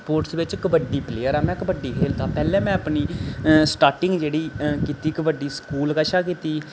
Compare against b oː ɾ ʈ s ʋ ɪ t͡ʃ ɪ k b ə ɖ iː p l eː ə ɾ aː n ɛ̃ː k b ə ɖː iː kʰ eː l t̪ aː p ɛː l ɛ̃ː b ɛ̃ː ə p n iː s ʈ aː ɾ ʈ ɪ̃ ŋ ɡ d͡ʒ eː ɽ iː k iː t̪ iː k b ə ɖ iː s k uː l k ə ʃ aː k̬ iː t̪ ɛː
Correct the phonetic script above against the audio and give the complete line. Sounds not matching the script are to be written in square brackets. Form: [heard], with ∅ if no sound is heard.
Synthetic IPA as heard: [p] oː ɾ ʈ s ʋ ɪ t͡ʃ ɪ k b ə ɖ iː p l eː ə ɾ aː [m] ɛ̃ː k b ə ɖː iː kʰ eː l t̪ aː p ɛː l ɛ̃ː [m] ɛ̃ː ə p n iː s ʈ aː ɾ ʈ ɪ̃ ŋ ɡ d͡ʒ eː ɽ iː k iː t̪ iː k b ə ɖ iː s k uː l k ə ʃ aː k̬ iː t̪ [iː]

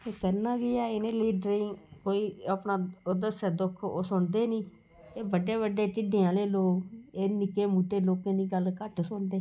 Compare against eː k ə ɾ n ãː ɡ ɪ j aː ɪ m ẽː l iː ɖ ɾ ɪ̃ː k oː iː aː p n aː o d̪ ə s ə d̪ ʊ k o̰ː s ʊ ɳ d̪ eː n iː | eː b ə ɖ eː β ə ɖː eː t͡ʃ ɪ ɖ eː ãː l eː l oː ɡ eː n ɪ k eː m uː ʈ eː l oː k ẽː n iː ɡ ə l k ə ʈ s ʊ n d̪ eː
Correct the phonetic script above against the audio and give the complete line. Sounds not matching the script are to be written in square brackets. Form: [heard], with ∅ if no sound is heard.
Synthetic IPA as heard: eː k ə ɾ n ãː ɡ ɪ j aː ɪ [n] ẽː l iː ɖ ɾ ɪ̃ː k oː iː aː p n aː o d̪ ə s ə d̪ ʊ [kʰ] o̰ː s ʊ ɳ d̪ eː n iː | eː b ə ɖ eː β ə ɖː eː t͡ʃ ɪ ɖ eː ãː l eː l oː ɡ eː n ɪ k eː m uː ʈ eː l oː k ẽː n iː ɡ ə l k ə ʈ s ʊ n d̪ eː

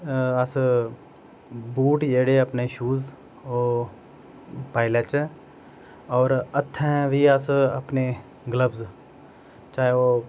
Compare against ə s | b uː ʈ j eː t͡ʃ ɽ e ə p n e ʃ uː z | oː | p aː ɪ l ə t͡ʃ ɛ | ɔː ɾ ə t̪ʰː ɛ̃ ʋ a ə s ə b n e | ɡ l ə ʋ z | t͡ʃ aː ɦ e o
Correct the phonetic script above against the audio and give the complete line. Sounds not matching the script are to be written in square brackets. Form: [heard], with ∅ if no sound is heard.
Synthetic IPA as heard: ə s | b uː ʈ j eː [∅] ɽ e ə p n e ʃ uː z | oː | p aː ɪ l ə t͡ʃ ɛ | ɔː ɾ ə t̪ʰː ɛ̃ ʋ [i] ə s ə [p] n e | ɡ l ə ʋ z | t͡ʃ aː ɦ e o

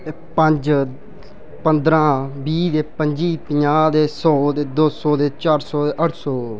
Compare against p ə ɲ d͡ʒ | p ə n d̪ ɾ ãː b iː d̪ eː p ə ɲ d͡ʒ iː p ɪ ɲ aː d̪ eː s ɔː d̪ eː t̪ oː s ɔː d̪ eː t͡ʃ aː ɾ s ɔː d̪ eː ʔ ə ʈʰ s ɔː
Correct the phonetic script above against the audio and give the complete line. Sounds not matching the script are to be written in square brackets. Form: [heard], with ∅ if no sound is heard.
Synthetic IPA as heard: p ə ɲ d͡ʒ | p ə n d̪ ɾ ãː b iː d̪ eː p ə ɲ d͡ʒ iː p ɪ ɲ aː d̪ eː s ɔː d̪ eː [d̪] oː s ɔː d̪ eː t͡ʃ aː ɾ s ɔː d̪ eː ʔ ə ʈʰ s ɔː

